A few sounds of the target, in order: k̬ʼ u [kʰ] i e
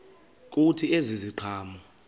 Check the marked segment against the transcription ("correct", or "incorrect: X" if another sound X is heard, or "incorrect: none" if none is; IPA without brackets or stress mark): incorrect: tʰ